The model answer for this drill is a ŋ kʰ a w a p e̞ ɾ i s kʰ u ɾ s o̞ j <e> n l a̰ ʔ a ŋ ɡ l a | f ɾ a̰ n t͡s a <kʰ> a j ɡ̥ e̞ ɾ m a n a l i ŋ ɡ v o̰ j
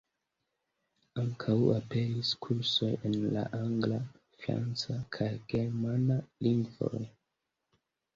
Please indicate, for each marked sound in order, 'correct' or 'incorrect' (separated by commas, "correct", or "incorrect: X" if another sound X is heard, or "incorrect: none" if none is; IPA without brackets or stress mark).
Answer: correct, correct